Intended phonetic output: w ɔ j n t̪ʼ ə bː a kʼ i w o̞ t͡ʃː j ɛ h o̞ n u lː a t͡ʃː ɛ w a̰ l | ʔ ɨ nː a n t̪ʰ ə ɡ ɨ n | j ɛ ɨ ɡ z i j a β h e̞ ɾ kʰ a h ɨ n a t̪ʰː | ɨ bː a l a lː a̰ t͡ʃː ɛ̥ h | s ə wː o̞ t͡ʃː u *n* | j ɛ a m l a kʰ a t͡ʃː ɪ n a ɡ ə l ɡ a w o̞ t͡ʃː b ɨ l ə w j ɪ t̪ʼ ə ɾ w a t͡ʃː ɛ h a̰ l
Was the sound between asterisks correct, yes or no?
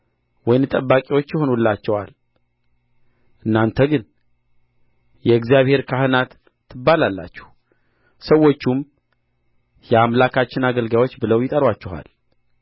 no